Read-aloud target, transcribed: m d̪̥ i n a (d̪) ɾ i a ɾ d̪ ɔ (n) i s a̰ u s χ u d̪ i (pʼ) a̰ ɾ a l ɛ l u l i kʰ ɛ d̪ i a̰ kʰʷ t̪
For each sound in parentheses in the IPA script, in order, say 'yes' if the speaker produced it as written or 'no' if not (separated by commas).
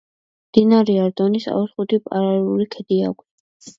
no, yes, yes